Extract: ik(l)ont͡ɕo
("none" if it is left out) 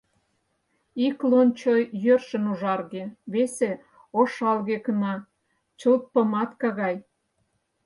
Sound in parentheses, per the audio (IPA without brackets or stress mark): l